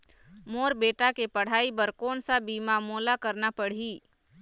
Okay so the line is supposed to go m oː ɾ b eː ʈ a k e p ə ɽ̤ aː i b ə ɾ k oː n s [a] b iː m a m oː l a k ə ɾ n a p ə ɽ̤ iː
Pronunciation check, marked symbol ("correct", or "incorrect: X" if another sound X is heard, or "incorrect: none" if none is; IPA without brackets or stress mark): correct